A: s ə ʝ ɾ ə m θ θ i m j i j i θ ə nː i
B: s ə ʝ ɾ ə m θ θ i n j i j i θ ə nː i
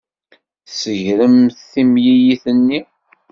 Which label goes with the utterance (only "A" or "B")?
A